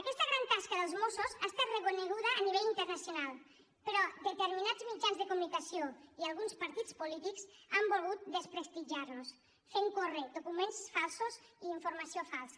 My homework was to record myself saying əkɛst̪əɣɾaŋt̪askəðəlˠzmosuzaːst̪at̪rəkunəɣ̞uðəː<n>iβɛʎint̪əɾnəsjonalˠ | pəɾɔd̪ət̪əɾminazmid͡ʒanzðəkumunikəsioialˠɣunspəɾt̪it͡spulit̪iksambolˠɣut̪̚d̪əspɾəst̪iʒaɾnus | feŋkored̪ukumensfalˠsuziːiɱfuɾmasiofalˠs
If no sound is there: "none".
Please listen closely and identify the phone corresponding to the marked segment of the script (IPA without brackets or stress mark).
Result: n